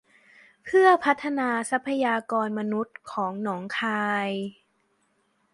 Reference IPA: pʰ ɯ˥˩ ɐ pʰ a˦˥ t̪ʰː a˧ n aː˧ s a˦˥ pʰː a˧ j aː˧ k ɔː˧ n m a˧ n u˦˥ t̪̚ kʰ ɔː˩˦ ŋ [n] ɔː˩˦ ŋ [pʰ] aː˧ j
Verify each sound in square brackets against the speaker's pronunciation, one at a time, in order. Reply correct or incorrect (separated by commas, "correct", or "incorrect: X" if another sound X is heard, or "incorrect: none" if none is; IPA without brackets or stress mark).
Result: correct, incorrect: kʰ